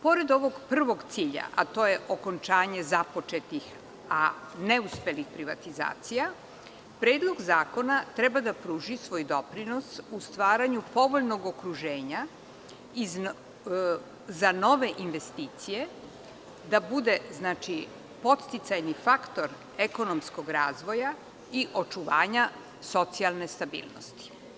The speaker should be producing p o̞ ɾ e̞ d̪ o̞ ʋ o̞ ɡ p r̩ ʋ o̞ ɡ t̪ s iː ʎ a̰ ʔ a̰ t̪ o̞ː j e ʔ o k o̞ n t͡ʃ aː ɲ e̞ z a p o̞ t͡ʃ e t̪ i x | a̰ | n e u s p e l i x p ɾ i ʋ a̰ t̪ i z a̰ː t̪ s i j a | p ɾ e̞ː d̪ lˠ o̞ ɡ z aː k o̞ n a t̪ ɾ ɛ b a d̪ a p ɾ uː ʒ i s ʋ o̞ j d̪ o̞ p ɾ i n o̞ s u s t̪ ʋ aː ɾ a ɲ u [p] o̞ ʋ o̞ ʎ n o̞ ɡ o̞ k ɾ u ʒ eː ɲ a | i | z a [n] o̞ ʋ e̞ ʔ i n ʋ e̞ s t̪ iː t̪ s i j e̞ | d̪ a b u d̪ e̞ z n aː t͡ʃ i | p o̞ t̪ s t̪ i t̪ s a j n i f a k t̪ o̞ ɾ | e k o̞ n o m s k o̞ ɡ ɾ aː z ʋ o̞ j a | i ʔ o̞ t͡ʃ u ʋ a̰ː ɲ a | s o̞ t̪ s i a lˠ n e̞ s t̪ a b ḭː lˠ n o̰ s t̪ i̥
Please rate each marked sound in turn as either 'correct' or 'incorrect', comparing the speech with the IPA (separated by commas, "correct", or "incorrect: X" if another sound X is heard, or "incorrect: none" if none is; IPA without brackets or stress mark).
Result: correct, correct